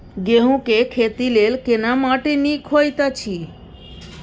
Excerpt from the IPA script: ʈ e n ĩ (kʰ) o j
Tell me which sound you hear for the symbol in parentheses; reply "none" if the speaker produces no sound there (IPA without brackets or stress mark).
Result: kʰ